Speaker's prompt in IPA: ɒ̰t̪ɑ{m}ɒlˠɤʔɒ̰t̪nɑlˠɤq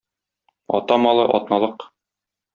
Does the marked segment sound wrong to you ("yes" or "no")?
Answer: no